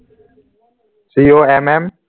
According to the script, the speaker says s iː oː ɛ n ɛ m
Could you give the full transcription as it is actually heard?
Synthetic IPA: s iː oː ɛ m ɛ m